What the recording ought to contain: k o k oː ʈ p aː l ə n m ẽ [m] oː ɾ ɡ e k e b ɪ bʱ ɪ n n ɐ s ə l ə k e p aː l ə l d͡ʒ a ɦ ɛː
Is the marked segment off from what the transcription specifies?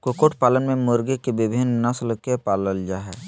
no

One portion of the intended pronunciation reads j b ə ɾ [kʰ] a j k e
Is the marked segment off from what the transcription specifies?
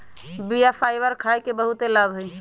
no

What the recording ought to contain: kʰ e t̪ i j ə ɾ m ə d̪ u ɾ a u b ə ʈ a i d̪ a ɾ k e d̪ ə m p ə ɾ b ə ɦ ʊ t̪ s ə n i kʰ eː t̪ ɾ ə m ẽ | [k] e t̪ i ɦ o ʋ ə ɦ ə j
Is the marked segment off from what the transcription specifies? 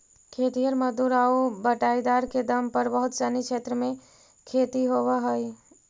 yes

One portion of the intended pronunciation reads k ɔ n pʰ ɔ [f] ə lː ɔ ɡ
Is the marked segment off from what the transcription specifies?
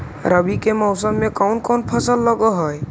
yes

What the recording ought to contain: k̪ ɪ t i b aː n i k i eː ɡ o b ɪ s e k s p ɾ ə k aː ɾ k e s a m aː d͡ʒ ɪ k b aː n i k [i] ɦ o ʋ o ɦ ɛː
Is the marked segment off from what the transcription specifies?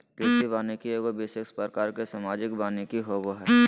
no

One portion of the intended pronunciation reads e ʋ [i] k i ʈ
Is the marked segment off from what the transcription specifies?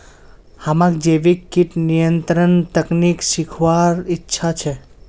no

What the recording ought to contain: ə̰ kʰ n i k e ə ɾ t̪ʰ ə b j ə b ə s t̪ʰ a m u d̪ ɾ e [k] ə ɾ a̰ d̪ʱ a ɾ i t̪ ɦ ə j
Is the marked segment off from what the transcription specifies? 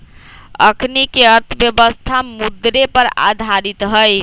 yes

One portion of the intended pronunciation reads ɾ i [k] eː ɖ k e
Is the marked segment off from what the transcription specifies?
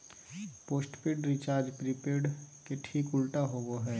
yes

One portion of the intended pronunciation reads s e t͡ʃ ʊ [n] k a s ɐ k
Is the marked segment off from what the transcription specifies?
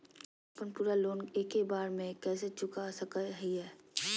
yes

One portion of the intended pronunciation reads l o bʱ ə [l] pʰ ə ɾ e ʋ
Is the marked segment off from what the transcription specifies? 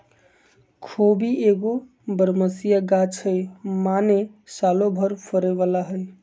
yes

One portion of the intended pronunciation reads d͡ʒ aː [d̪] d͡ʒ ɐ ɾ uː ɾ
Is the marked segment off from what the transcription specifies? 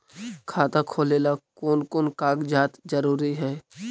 yes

